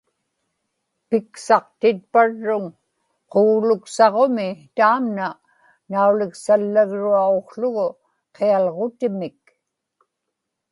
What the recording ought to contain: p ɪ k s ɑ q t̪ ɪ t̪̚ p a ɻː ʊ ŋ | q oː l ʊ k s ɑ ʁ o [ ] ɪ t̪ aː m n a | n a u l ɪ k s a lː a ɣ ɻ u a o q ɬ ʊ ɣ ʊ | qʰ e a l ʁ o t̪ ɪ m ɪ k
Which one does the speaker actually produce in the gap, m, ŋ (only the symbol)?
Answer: m